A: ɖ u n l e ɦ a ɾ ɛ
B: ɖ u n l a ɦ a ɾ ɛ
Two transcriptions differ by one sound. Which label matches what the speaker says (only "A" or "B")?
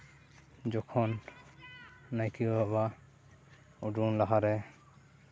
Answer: B